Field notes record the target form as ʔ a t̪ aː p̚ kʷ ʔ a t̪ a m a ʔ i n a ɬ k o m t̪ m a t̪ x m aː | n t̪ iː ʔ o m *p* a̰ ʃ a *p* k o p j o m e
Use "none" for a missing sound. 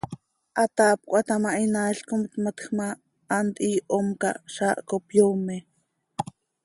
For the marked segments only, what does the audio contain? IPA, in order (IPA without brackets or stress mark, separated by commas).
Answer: k, ʔ